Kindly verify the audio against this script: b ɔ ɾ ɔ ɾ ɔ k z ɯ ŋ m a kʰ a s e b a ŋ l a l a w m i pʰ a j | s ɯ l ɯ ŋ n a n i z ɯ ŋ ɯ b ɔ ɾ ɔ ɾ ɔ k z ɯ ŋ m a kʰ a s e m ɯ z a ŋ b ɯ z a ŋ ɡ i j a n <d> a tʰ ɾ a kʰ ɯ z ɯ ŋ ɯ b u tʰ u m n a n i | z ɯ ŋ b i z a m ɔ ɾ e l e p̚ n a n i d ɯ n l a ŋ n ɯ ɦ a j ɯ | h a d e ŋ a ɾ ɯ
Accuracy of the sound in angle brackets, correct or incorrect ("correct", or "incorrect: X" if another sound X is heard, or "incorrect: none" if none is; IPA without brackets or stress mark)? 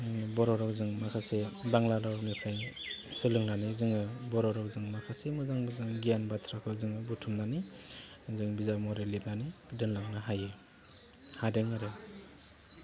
incorrect: b